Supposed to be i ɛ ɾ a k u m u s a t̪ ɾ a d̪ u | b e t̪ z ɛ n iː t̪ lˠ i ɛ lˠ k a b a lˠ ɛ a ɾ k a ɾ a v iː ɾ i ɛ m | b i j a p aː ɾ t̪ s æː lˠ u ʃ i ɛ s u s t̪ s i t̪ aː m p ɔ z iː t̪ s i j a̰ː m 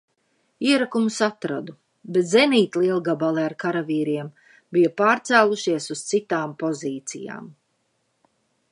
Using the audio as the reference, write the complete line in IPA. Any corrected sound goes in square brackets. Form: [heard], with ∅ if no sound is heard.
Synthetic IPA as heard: i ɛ ɾ a k u m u s a t̪ ɾ a d̪ u | b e t̪ z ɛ n iː t̪ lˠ i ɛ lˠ [ɡ] a b a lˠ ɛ a ɾ k a ɾ a v iː ɾ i ɛ m | b i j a p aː ɾ t̪ s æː lˠ u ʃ i ɛ s u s t̪ s i t̪ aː m p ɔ z iː t̪ s i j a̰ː m